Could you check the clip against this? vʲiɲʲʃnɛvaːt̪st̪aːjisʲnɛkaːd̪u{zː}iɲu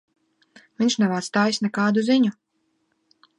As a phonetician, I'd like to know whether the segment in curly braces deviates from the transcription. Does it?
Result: yes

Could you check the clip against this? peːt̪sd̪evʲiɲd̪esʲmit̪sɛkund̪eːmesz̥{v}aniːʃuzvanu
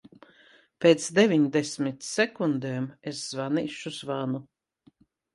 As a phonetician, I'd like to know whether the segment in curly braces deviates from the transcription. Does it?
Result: no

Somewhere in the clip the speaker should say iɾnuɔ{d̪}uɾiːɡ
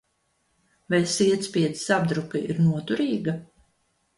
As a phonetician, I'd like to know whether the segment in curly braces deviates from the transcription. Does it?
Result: yes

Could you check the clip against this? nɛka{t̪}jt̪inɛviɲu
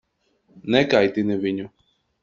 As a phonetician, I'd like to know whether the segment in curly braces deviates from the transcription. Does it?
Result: yes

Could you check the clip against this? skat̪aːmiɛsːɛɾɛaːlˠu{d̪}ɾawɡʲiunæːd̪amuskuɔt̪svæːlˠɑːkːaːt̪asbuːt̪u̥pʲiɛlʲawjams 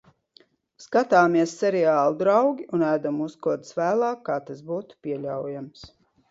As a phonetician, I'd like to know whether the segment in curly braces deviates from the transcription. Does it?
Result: no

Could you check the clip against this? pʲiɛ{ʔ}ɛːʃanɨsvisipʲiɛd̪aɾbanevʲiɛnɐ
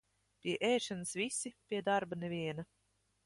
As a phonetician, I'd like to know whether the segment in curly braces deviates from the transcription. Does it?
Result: no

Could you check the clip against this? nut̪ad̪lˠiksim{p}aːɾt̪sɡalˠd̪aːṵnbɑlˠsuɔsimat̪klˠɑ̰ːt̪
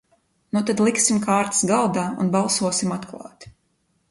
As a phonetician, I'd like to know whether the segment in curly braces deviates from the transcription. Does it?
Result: yes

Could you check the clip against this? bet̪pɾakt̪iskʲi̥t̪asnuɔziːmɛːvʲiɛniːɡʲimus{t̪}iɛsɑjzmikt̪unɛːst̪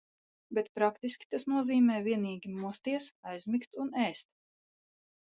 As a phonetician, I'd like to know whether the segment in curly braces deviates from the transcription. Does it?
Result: no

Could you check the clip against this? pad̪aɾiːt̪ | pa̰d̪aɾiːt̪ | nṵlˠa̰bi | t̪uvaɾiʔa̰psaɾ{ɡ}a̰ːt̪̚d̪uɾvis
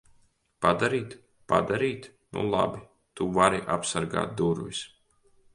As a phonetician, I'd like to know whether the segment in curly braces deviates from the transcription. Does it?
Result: no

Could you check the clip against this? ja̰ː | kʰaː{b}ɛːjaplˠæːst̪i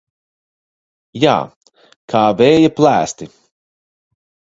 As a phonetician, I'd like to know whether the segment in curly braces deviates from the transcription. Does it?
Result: yes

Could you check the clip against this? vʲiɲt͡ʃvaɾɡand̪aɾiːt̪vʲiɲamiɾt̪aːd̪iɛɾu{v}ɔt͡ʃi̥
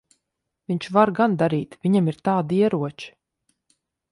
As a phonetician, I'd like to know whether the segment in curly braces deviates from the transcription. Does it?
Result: yes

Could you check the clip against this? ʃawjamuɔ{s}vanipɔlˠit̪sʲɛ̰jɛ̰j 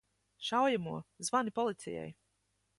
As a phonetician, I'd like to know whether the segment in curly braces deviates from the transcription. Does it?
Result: yes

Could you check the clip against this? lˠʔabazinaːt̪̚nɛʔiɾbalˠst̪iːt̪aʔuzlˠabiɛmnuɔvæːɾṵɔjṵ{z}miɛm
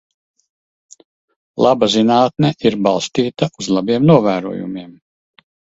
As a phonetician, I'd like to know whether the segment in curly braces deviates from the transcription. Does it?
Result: yes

